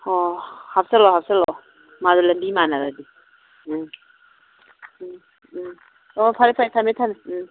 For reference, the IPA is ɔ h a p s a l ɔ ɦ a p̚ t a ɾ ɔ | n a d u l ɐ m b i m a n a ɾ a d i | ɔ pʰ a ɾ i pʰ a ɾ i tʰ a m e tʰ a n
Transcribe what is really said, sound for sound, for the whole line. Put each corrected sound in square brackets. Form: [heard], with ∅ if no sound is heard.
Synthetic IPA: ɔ h a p s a l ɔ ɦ a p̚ [s] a [l] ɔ | [m] a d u l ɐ m b i m a n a ɾ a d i | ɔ pʰ a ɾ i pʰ a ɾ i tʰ a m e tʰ a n